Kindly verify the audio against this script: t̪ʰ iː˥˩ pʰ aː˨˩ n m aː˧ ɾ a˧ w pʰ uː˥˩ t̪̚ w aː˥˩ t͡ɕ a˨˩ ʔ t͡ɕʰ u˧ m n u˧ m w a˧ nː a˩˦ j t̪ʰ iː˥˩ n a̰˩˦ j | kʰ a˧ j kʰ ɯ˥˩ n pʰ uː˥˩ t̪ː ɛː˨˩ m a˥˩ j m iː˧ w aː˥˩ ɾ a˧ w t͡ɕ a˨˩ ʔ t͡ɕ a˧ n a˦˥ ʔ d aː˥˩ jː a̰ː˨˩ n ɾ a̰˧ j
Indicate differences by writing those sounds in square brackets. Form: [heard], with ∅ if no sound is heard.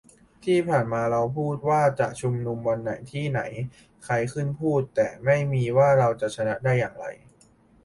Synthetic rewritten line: t̪ʰ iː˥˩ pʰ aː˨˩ n m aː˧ ɾ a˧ w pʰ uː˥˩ t̪̚ w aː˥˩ t͡ɕ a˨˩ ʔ t͡ɕʰ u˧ m n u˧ m w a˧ nː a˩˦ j t̪ʰ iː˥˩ n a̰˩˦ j | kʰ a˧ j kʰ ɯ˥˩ n pʰ uː˥˩ t̪ː ɛː˨˩ m a˥˩ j m iː˧ w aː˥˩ ɾ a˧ w t͡ɕ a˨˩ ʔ [t͡ɕʰ] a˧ n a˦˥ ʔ d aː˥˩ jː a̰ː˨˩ [ŋ] ɾ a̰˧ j